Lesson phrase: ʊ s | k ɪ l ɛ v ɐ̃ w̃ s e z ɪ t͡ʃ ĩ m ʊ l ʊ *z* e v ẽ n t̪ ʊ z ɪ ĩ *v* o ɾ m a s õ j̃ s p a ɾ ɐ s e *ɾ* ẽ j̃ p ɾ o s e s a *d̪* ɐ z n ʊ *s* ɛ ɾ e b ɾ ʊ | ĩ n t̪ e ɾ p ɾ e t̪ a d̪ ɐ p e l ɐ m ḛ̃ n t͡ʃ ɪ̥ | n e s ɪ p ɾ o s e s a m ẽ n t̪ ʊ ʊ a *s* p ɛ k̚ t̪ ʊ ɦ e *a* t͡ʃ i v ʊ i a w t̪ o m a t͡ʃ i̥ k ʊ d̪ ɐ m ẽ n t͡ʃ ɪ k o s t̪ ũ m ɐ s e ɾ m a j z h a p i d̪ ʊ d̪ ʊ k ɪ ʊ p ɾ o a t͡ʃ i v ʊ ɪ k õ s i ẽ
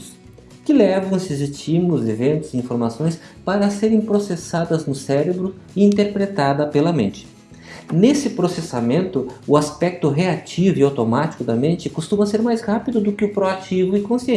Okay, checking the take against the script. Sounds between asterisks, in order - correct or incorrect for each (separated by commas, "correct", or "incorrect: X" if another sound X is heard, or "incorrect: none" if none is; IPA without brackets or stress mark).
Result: correct, incorrect: f, correct, correct, correct, correct, correct